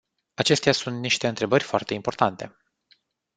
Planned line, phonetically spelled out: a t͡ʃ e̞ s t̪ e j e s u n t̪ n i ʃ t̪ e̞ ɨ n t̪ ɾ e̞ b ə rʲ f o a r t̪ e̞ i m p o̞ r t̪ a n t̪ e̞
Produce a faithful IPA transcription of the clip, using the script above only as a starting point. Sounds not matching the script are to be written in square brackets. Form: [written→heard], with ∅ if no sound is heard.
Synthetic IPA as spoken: a t͡ʃ e̞ s t̪ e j [e→a] s u n t̪ n i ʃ t̪ e̞ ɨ n t̪ ɾ e̞ b ə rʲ f o a r t̪ e̞ i m p o̞ r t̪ a n t̪ e̞